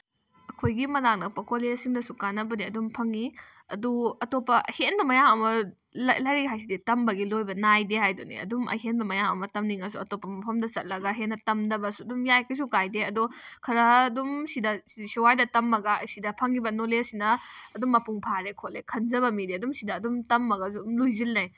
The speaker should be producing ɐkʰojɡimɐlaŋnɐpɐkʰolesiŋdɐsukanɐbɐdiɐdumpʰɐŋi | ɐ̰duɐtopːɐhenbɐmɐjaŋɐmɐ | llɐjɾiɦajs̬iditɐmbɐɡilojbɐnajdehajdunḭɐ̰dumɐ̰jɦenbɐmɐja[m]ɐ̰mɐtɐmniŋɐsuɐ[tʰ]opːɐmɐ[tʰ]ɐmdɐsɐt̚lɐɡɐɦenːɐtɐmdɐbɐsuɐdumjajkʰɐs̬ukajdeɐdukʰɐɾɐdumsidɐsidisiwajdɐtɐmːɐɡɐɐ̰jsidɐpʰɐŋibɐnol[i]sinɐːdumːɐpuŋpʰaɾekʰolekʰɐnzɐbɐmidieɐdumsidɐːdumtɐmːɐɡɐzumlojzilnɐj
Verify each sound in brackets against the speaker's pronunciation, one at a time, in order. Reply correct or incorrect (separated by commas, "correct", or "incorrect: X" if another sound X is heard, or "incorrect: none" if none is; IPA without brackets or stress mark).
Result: incorrect: ŋ, incorrect: t, incorrect: pʰ, incorrect: e